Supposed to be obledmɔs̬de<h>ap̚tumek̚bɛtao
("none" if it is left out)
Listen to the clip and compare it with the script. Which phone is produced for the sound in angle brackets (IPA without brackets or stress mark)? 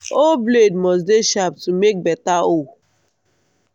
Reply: ʃ